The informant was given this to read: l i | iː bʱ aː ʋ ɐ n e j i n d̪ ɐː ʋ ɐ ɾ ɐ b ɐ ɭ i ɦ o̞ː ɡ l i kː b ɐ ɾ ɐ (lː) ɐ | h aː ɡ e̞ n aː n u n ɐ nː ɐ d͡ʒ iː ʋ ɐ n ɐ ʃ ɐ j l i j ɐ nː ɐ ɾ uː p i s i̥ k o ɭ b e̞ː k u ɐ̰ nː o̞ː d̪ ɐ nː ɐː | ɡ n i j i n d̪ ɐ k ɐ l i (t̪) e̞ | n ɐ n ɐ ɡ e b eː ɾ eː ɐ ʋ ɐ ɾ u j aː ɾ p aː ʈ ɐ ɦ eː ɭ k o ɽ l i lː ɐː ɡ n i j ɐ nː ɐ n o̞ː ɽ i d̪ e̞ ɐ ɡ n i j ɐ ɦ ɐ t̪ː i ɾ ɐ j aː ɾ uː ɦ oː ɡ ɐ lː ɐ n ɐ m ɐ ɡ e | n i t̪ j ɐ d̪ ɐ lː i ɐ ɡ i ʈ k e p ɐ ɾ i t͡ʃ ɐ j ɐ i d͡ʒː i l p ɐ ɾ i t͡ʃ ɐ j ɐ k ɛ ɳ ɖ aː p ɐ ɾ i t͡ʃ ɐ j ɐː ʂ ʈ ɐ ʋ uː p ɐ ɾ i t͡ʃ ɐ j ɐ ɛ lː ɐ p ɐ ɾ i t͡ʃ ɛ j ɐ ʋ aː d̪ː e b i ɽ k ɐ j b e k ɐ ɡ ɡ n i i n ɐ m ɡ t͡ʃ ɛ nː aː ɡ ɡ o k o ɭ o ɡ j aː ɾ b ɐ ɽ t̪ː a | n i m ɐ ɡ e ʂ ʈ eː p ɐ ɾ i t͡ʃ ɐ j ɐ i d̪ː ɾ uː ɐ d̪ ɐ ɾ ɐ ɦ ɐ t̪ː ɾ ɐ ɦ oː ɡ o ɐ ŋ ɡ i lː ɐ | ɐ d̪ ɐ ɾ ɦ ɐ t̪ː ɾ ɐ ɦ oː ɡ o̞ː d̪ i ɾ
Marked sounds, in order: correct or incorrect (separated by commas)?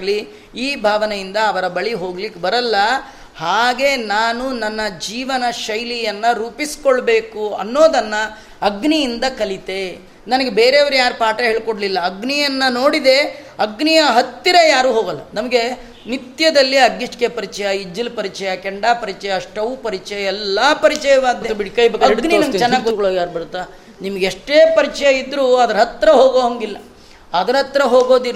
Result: correct, correct